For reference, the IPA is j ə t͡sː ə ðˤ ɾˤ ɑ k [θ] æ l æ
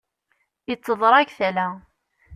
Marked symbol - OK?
yes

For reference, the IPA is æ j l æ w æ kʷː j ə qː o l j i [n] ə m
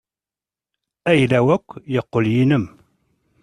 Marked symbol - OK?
yes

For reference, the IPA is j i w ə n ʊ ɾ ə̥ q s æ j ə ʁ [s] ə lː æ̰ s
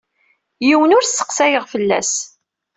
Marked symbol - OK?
no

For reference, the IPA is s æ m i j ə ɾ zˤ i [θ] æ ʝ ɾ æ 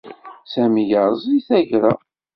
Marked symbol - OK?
yes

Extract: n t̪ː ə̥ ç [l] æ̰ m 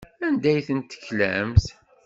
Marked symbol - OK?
yes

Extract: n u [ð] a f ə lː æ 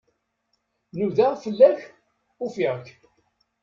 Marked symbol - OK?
yes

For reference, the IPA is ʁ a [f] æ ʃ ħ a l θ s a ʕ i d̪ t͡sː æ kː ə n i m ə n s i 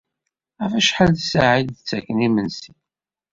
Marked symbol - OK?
yes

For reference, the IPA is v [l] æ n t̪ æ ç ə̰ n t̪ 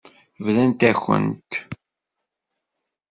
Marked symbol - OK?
yes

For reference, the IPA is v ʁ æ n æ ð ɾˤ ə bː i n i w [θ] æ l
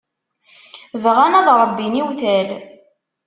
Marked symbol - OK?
yes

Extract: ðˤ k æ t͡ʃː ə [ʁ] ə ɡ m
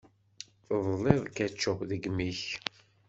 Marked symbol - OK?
no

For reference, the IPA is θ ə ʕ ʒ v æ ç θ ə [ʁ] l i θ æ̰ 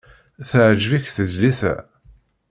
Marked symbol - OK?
no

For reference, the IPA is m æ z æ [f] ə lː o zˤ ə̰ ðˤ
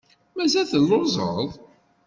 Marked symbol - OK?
no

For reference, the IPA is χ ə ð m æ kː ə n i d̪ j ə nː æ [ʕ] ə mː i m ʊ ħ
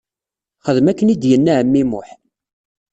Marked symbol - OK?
yes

